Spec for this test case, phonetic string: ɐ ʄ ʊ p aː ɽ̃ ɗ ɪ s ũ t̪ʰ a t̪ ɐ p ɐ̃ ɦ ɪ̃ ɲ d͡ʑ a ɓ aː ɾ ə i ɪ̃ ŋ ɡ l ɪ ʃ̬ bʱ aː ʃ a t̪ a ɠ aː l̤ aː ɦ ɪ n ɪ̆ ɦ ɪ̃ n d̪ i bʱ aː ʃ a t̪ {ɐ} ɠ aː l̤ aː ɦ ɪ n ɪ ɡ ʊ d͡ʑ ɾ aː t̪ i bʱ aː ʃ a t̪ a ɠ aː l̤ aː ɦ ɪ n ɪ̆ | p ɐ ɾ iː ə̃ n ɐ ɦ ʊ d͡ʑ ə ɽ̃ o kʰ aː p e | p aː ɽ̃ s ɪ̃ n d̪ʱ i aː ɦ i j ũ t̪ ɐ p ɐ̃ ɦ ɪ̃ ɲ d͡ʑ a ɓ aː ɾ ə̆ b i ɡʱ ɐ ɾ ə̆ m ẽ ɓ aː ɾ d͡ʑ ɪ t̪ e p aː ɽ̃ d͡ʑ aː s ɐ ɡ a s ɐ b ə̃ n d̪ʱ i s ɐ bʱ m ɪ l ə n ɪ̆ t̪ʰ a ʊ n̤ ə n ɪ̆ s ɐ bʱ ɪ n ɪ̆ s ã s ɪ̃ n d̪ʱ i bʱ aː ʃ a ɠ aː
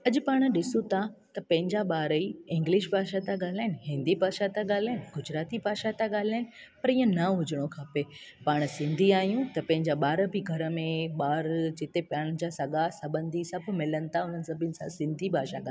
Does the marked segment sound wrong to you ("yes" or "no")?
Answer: yes